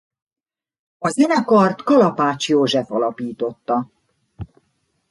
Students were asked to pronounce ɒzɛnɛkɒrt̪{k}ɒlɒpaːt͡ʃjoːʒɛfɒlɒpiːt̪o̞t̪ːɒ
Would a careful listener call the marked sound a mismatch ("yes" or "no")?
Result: no